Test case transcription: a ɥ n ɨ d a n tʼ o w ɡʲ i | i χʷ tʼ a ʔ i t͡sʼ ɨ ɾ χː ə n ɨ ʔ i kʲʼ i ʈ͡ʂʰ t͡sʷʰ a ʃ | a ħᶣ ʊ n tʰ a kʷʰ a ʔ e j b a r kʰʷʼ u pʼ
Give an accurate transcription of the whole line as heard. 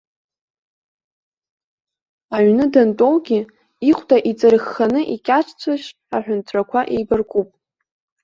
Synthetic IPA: a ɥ n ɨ d a n tʼ o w ɡʲ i | i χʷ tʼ a ʔ i t͡sʼ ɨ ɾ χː a n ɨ ʔ i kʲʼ a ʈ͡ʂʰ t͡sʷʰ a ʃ | a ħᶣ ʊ n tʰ a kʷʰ a ʔ e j b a r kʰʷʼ u pʼ